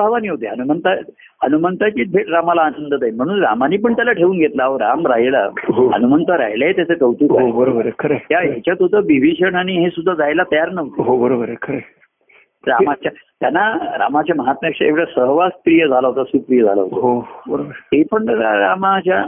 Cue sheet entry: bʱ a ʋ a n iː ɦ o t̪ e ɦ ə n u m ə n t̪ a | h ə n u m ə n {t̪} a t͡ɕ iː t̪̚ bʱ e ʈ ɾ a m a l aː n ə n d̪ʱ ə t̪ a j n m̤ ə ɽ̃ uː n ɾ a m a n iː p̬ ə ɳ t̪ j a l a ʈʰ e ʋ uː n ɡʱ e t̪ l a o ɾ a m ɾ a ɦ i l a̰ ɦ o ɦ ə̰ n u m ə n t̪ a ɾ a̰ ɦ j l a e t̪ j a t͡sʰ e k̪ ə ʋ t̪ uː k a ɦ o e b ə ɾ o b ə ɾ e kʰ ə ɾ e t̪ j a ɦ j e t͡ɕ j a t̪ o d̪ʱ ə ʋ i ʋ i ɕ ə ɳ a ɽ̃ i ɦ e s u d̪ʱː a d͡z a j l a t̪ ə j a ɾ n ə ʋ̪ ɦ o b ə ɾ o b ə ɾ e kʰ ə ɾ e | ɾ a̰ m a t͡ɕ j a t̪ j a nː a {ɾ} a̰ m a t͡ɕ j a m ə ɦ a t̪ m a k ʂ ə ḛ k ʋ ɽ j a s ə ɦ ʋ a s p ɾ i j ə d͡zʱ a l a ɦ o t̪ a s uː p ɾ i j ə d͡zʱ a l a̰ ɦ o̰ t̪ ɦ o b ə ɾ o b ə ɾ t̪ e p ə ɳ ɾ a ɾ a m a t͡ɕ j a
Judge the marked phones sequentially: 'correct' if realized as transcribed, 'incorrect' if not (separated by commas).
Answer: correct, correct